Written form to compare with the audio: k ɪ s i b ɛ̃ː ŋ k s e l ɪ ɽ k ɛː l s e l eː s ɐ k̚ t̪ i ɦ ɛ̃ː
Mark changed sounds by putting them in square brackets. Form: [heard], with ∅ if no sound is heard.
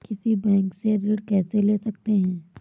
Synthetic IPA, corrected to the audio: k ɪ s i b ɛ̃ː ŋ k s e [ɾ] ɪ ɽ k ɛː [∅] s e l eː s ɐ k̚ t̪ [e] ɦ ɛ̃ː